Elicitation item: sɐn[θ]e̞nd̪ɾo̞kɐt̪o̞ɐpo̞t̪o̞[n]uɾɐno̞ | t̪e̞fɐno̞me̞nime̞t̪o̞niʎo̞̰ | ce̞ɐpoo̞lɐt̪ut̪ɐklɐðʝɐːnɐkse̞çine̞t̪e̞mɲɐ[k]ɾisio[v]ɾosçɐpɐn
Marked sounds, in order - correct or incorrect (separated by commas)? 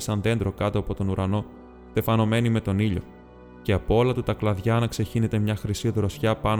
incorrect, correct, incorrect, incorrect